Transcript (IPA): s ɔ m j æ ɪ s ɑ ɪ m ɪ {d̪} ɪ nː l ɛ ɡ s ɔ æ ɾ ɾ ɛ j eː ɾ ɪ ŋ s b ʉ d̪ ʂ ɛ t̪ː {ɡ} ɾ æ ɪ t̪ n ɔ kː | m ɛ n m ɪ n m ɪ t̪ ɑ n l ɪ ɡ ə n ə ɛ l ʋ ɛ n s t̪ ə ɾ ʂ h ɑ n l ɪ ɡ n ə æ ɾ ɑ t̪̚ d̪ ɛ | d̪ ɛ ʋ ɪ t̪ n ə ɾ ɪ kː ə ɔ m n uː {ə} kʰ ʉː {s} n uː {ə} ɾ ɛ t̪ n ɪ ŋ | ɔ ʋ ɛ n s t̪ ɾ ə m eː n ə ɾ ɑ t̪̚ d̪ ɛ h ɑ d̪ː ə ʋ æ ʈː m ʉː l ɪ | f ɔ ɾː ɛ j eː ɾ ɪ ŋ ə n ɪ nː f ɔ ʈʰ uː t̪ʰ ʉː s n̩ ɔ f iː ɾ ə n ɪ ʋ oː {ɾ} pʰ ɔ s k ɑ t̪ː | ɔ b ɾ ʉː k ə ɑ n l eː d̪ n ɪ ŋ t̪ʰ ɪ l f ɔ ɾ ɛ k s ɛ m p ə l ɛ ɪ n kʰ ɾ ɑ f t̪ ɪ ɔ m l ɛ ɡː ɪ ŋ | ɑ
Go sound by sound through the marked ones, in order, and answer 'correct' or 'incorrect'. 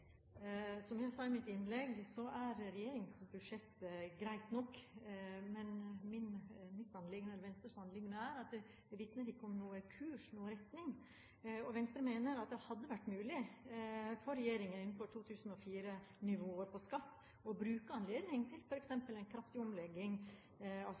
incorrect, correct, correct, incorrect, correct, correct

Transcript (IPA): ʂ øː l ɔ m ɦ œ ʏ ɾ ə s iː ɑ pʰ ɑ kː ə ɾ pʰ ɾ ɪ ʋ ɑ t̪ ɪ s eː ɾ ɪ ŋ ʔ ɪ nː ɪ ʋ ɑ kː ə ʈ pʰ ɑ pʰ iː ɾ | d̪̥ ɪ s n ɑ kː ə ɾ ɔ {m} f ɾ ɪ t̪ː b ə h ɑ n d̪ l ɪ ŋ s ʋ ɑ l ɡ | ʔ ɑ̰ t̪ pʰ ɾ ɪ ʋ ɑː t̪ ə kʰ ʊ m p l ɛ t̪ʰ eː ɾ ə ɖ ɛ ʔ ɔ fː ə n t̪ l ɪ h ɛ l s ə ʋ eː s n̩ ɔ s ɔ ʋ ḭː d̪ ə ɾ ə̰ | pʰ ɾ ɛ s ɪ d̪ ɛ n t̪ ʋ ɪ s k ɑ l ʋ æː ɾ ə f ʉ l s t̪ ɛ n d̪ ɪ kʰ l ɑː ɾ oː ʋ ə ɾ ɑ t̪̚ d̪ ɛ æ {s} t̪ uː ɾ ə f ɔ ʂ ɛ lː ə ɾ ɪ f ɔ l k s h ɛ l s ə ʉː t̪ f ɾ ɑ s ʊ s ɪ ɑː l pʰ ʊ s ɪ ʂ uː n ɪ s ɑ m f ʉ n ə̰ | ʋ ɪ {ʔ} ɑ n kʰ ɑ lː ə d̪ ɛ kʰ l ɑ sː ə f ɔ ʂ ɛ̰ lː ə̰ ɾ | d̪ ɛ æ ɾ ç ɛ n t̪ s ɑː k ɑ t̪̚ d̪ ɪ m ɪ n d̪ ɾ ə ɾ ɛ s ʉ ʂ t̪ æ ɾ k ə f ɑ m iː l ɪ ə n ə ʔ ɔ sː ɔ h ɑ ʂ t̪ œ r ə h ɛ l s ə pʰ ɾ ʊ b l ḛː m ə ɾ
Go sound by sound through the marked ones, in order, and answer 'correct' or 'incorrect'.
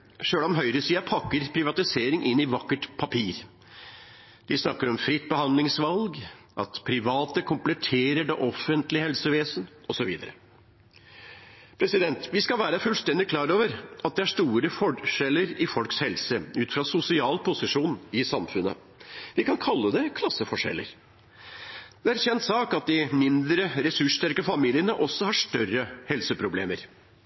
correct, incorrect, incorrect

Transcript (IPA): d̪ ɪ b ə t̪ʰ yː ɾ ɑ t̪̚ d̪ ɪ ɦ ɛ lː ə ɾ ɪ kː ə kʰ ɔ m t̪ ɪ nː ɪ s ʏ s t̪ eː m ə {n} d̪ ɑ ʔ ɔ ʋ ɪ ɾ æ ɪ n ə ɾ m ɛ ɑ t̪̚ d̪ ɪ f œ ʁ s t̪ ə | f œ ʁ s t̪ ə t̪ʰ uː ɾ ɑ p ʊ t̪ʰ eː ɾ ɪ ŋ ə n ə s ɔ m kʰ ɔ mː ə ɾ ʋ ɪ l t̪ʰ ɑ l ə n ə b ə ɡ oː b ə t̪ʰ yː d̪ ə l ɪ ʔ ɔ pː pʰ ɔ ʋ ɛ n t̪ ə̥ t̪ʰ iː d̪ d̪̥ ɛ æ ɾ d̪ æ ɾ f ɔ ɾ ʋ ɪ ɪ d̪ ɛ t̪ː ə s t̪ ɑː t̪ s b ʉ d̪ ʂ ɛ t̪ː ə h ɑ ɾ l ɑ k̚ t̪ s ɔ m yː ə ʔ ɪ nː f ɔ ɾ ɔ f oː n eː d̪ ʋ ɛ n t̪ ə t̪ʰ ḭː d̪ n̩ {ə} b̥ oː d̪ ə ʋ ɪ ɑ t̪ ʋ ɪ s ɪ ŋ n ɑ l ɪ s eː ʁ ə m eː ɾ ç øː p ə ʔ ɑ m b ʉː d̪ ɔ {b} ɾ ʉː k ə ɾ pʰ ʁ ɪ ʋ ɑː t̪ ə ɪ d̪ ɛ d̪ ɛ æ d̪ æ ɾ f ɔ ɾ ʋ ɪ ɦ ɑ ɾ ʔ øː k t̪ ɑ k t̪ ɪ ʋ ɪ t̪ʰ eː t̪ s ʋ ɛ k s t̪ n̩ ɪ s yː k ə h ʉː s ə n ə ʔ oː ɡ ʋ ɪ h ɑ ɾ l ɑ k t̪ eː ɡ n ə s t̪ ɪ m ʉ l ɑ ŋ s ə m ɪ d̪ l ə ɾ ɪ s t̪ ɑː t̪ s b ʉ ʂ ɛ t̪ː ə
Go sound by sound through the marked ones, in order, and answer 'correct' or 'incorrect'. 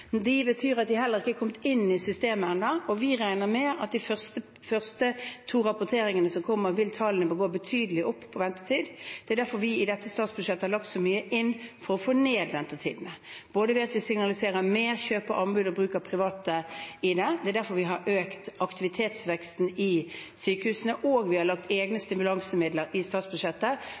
correct, correct, correct

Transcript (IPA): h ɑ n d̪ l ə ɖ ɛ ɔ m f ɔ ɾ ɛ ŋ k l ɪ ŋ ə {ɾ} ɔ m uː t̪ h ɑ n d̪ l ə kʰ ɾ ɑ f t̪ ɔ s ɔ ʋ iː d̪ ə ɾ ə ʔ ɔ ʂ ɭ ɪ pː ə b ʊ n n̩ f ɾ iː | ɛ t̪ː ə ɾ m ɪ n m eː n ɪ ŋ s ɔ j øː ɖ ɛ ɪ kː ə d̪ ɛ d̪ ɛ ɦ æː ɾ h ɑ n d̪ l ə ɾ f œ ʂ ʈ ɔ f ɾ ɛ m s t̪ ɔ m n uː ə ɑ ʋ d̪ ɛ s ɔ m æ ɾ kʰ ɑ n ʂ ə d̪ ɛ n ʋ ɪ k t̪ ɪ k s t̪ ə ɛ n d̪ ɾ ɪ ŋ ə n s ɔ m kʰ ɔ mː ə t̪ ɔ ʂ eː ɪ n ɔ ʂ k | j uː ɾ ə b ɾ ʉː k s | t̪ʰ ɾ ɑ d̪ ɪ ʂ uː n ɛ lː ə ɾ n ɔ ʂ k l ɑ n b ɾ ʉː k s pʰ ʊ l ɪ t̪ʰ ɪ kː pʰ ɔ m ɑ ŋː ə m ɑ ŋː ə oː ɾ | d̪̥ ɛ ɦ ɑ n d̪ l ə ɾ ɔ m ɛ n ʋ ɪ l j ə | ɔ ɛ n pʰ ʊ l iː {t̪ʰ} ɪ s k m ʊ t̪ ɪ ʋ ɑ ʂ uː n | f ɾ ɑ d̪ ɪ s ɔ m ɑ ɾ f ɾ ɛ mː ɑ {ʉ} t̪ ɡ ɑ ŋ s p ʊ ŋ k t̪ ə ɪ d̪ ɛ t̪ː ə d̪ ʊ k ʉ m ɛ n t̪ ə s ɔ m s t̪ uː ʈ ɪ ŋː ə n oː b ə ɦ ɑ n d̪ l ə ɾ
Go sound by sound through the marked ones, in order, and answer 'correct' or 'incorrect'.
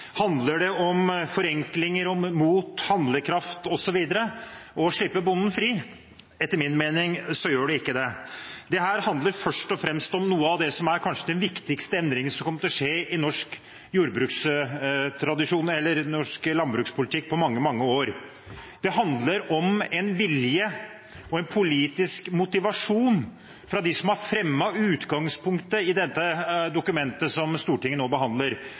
correct, incorrect, incorrect

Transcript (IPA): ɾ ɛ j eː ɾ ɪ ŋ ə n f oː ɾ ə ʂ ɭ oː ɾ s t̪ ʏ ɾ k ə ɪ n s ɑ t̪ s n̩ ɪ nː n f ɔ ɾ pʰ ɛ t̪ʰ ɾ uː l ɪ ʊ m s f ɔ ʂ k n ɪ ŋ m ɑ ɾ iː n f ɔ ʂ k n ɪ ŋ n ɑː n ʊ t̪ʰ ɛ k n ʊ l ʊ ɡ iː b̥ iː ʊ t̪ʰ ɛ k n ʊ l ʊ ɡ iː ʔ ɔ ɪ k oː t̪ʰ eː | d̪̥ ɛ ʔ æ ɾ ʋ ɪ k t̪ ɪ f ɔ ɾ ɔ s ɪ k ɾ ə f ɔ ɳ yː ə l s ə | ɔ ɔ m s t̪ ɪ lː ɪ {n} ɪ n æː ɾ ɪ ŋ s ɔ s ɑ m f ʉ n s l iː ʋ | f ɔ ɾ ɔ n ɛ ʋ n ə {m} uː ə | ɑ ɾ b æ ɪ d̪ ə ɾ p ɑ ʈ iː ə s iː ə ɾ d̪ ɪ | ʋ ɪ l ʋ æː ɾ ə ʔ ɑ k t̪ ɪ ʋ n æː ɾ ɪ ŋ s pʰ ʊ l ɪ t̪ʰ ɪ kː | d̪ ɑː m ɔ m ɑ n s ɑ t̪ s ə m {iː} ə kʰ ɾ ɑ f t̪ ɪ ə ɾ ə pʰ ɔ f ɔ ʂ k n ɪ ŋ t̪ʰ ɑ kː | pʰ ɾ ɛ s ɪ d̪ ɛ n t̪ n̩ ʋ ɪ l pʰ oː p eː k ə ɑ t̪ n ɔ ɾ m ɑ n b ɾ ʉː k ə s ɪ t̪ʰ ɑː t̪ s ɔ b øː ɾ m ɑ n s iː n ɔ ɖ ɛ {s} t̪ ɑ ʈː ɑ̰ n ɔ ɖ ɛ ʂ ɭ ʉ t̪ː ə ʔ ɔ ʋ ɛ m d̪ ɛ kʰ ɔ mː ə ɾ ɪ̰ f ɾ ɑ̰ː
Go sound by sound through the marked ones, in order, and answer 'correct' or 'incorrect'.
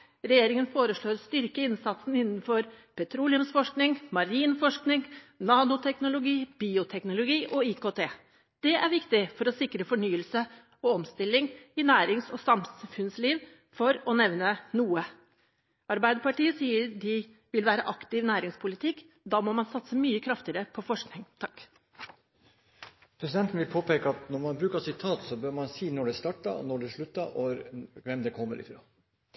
incorrect, incorrect, incorrect, correct

